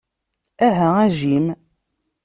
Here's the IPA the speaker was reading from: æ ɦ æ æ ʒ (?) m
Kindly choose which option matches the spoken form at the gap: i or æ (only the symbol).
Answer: i